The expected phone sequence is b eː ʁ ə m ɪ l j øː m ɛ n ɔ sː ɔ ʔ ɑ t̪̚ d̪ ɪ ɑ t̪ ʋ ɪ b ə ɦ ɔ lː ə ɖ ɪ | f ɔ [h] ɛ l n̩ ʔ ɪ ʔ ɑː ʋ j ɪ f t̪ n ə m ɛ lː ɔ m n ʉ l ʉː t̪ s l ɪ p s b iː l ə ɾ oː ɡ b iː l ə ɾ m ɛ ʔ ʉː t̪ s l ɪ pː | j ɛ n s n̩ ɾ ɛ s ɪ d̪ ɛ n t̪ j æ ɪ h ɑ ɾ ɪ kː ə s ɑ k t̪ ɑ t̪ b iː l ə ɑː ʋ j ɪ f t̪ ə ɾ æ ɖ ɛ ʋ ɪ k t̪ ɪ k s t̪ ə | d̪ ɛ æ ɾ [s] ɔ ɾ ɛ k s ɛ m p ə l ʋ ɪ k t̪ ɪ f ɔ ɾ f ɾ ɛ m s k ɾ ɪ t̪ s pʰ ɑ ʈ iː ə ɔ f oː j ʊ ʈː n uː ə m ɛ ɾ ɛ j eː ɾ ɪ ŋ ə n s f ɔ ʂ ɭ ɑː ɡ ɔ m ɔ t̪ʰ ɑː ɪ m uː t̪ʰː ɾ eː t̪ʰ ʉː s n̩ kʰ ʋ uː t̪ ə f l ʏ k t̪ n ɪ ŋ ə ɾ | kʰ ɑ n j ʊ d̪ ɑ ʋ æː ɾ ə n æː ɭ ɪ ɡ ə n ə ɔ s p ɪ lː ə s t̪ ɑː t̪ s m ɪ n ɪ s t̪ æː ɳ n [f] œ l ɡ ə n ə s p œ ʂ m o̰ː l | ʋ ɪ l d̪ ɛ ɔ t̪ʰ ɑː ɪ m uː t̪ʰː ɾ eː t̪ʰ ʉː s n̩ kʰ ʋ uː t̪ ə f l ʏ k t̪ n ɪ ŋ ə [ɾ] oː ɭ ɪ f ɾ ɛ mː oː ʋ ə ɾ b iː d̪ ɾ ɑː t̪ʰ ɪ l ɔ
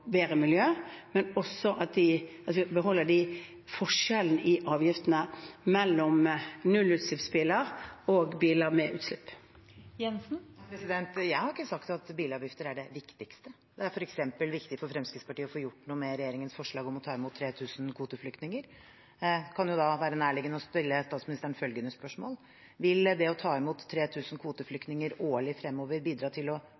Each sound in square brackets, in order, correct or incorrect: incorrect, incorrect, correct, correct

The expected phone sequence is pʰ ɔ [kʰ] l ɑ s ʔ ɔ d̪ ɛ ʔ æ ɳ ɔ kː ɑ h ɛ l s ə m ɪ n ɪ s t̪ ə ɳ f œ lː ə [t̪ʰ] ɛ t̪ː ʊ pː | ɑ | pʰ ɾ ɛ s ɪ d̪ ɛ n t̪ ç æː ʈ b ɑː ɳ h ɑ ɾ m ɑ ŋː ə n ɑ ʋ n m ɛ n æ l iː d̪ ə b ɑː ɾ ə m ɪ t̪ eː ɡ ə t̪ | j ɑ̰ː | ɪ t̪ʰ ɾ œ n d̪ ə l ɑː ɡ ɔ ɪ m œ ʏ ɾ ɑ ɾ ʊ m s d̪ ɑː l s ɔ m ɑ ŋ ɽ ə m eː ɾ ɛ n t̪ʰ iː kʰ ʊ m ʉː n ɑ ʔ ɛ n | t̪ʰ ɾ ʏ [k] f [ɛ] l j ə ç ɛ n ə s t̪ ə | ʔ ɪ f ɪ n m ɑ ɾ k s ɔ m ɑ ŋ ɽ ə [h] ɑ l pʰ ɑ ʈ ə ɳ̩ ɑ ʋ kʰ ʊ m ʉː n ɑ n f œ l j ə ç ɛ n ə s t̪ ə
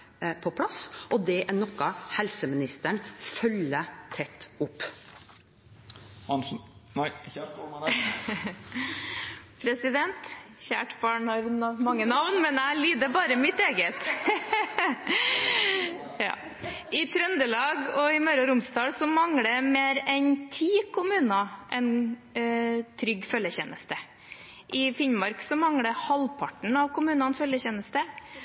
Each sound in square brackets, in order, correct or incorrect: incorrect, correct, incorrect, incorrect, correct

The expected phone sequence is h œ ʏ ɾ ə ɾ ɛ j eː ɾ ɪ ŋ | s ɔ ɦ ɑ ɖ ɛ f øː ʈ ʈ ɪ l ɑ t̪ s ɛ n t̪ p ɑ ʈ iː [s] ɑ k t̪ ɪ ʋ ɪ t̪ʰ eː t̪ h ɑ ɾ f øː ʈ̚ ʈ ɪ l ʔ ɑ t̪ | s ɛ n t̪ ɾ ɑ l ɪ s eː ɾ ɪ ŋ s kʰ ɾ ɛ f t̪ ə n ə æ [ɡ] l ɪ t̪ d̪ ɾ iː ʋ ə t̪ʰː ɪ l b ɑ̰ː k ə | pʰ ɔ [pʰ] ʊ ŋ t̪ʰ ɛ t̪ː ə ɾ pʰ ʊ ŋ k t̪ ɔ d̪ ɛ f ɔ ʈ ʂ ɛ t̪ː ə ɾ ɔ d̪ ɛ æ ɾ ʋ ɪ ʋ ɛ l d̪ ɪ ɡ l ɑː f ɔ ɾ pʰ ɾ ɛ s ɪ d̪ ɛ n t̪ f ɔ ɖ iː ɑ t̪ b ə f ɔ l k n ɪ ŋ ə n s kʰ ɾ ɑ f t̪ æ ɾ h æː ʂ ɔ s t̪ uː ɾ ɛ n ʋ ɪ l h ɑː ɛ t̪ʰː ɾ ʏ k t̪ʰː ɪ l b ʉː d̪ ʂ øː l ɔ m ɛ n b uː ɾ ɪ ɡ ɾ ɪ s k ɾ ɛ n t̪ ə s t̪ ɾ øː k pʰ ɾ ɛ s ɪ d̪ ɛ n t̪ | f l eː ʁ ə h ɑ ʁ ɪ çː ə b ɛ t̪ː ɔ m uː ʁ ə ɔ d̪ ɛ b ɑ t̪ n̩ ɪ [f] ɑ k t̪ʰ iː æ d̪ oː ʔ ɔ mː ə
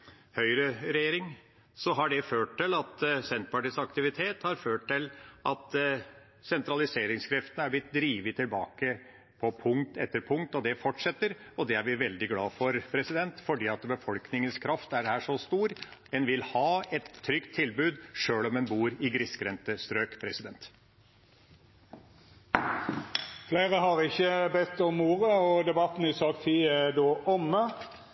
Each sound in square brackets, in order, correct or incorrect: correct, incorrect, correct, incorrect

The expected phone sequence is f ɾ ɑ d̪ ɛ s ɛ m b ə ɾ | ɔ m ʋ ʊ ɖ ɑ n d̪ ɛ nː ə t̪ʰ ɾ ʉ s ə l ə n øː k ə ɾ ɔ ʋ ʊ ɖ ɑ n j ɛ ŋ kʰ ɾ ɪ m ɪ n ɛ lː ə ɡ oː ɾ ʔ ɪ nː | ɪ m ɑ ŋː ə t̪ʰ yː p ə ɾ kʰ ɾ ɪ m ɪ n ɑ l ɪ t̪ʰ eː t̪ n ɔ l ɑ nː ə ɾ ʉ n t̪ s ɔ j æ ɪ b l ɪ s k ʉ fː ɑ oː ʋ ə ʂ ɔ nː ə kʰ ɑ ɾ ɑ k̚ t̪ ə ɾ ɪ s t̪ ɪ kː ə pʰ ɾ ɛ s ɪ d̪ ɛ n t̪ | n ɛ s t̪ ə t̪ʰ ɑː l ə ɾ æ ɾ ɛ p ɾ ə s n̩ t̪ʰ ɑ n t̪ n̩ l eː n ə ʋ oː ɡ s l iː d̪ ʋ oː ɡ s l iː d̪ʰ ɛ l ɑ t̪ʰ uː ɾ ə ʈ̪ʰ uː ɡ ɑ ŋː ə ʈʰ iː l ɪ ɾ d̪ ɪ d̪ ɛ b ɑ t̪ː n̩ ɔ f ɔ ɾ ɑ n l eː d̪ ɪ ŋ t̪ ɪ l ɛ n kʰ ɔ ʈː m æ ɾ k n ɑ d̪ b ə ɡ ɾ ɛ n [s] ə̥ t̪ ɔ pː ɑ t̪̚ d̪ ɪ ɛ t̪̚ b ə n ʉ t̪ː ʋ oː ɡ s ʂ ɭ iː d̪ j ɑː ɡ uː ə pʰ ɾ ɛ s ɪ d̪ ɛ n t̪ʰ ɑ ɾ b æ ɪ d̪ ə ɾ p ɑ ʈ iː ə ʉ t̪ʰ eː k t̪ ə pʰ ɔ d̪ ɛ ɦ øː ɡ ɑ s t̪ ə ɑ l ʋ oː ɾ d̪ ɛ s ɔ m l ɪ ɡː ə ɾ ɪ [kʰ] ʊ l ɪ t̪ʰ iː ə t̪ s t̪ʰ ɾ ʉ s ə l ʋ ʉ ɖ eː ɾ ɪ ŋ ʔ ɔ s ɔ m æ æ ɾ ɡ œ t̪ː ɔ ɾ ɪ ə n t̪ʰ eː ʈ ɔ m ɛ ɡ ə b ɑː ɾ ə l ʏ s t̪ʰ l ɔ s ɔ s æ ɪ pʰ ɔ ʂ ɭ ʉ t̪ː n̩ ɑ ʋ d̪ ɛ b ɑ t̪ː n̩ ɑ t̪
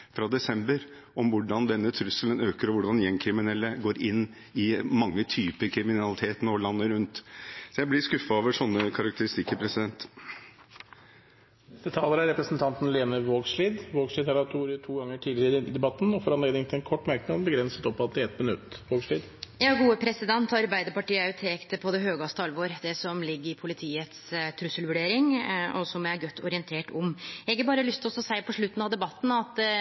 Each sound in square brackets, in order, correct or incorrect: correct, incorrect

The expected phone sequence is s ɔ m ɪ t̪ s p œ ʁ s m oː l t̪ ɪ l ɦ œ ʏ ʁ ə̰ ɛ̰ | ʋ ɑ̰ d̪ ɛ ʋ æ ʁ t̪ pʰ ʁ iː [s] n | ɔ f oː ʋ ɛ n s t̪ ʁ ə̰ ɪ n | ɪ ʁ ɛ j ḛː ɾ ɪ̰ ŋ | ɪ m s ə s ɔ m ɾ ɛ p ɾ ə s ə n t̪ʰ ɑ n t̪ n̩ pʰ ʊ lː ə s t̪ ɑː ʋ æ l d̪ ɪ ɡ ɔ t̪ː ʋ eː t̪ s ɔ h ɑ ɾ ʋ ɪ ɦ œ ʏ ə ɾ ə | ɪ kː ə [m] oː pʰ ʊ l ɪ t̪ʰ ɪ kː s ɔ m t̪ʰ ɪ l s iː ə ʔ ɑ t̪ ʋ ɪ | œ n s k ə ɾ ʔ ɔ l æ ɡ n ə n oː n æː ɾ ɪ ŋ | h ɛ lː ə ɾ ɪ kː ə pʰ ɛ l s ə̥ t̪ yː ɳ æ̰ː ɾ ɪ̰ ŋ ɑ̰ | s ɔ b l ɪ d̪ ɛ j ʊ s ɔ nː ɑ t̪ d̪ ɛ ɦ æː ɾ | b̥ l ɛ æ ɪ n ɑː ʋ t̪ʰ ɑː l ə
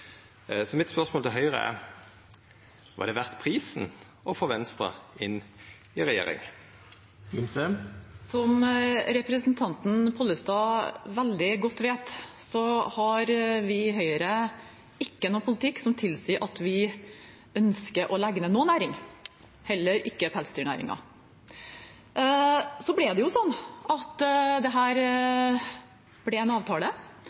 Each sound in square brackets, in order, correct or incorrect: correct, incorrect

